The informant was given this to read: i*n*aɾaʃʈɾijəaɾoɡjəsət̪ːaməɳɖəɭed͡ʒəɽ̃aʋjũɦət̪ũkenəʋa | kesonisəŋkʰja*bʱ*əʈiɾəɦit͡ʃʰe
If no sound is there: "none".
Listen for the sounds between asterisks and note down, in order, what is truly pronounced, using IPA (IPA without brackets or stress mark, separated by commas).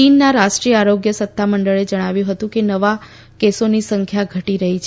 nː, ɡʱ